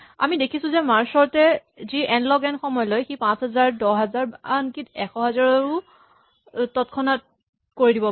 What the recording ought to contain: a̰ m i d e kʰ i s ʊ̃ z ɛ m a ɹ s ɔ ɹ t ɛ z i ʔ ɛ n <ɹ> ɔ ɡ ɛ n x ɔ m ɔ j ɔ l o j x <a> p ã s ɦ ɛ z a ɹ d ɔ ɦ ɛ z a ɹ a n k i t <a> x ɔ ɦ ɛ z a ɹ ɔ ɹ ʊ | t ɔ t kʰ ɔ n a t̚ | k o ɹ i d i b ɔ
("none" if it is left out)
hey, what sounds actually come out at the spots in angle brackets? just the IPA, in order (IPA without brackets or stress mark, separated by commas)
l, i, ɛ